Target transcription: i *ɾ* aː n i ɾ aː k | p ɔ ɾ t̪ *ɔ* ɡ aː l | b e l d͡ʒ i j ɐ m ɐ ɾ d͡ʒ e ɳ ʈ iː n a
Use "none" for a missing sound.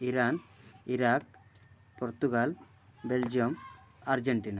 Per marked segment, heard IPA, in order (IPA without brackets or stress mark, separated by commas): ɾ, u